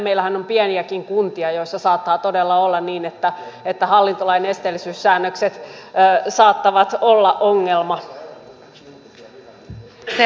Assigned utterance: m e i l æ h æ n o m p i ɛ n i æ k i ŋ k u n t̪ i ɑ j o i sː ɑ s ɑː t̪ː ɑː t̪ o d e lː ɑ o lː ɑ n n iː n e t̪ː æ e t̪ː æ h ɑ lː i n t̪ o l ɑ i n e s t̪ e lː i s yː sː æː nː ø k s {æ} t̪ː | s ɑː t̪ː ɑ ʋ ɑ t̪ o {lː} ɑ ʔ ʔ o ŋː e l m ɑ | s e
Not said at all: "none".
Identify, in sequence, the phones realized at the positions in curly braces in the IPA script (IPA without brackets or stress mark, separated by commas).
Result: e, lː